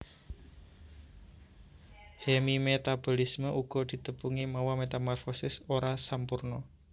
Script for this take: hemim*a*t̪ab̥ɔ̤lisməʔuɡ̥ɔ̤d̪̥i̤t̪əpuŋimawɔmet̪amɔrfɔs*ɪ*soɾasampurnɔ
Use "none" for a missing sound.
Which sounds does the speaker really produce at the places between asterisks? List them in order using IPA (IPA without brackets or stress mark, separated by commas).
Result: e, ɪ